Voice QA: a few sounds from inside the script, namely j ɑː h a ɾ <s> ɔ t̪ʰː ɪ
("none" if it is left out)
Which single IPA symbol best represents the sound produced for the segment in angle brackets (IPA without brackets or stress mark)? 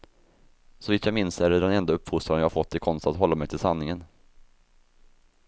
f